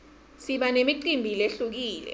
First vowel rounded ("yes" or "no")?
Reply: no